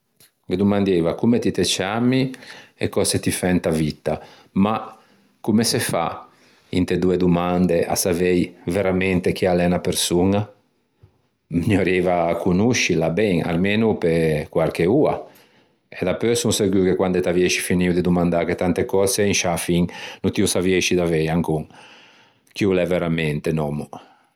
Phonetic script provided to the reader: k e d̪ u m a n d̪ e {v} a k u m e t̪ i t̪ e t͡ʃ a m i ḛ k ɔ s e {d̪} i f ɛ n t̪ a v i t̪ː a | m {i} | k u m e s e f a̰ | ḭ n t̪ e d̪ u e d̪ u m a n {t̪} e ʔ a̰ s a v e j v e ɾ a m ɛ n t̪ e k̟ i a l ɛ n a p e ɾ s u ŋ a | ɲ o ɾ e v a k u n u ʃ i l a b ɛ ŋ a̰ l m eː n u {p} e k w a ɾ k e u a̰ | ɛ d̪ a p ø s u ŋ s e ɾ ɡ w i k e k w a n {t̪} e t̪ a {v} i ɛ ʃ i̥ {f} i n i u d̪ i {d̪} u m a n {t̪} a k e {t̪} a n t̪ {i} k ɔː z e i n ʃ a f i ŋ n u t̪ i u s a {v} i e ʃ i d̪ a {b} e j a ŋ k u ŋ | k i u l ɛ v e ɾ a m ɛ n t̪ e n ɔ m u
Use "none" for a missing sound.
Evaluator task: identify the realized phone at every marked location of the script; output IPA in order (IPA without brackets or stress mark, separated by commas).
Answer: v, t̪, a, d̪, p, d̪, v, f, d̪, d̪, t̪, e, v, v